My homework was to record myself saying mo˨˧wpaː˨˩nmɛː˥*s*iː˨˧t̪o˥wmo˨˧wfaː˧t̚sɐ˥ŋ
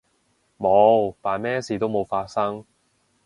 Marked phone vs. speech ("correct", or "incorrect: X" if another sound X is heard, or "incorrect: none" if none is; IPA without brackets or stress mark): correct